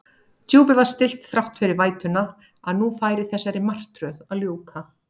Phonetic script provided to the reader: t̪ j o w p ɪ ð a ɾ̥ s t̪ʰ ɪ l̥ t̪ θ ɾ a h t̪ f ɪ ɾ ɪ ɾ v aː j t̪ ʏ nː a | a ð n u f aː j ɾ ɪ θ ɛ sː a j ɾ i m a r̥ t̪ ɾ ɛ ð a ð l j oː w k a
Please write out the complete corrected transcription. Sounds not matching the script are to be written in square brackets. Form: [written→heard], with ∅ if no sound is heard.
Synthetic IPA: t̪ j o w p ɪ [ð→v] a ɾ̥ s [t̪ʰ→t̪] ɪ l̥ t̪ θ ɾ a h t̪ f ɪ ɾ ɪ ɾ v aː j t̪ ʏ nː a | a ð n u f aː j ɾ ɪ θ ɛ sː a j ɾ [i→ɪ] m a r̥ t̪ ɾ [ɛ→œ] ð a ð l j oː w k a